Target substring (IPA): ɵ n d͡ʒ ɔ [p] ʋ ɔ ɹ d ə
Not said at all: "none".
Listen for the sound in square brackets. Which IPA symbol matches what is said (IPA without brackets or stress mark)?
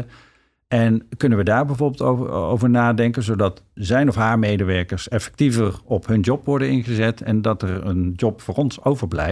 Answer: p